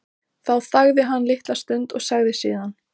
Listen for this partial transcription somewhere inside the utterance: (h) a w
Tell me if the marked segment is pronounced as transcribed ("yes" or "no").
no